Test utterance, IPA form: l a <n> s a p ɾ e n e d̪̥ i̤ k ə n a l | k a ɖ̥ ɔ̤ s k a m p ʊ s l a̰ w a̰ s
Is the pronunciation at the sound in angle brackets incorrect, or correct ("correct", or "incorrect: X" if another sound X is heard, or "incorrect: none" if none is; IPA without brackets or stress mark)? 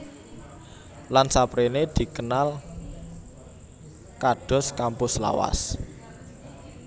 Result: correct